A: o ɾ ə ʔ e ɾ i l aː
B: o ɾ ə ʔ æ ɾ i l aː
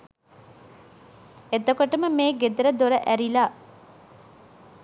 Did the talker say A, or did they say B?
B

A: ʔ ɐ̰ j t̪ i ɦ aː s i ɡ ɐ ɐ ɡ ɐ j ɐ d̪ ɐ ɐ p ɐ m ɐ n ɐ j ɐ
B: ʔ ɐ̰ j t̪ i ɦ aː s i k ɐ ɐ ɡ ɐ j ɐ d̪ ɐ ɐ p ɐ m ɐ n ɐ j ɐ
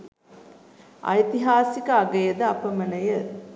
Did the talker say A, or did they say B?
B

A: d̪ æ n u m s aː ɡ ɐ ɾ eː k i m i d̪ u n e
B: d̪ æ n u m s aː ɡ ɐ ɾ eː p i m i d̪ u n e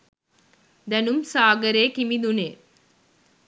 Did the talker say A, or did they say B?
A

